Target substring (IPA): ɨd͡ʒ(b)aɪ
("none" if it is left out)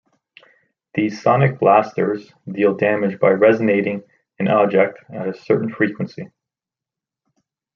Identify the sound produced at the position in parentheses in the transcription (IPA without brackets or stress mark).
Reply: b